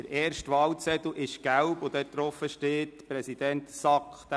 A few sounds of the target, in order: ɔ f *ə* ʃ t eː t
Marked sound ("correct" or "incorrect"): correct